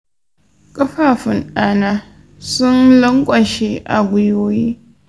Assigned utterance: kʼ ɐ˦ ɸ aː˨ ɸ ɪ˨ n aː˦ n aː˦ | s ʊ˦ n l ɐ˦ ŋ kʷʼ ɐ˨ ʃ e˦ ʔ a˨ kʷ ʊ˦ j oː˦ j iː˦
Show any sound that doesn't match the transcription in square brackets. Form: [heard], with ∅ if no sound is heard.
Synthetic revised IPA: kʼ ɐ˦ ɸ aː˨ ɸ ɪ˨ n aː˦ n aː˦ | s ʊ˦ n l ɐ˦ ŋ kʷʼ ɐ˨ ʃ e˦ ʔ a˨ [ɡʷ] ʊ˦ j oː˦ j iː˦